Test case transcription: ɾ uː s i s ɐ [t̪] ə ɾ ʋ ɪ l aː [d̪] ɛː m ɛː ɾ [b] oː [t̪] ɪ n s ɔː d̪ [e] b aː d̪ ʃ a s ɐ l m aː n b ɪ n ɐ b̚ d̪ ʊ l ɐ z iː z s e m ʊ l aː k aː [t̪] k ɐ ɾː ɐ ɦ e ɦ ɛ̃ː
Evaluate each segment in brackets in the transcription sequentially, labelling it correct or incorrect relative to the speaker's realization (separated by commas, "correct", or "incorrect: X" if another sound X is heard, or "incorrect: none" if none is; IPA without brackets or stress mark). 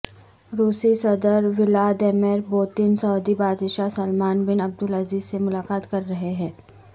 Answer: incorrect: d̪, correct, correct, correct, incorrect: i, correct